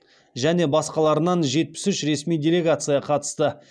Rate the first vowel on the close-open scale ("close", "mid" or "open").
open